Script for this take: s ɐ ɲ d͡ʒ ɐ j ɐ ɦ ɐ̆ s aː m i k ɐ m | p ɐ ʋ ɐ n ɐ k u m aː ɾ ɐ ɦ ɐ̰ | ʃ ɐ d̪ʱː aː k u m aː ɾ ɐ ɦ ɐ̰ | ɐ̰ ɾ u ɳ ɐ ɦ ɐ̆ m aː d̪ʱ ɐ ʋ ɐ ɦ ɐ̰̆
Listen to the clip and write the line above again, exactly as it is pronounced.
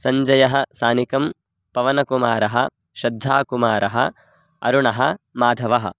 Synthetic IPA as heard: s ɐ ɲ d͡ʒ ɐ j ɐ ɦ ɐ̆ s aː n i k ɐ m | p ɐ ʋ ɐ n ɐ k u m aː ɾ ɐ ɦ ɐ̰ | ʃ ɐ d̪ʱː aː k u m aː ɾ ɐ ɦ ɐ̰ | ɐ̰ ɾ u ɳ ɐ ɦ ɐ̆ m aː d̪ʱ ɐ ʋ ɐ ɦ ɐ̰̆